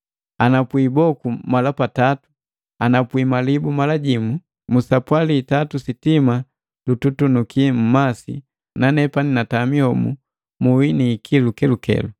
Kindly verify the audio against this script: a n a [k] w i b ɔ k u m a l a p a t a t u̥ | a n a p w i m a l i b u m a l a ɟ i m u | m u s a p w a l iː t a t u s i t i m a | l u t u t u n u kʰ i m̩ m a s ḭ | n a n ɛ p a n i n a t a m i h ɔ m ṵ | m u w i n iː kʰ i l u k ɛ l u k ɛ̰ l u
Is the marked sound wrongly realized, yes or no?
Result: yes